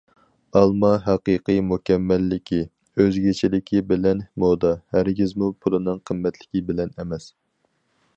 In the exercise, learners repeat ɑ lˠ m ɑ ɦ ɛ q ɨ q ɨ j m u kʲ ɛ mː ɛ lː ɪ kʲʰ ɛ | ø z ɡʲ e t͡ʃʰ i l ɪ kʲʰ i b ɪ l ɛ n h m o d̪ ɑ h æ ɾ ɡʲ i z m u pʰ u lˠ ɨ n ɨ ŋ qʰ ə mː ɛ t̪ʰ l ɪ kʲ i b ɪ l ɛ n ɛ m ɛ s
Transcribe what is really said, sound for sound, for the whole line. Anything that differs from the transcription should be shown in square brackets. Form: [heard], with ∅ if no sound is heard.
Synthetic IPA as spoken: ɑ lˠ m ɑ ɦ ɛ q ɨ q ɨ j m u kʲ ɛ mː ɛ lː ɪ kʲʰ [i] | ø z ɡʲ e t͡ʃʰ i l ɪ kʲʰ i b ɪ l ɛ n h m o d̪ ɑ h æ ɾ ɡʲ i z m u pʰ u lˠ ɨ n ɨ ŋ qʰ ə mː ɛ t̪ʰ l ɪ kʲ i b ɪ l ɛ n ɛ m ɛ s